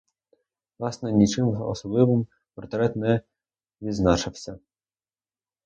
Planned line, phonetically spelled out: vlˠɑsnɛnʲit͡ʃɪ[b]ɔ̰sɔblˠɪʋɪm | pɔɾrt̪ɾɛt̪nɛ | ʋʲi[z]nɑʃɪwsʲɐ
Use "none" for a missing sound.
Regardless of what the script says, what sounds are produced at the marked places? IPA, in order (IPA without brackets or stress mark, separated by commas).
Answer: m, z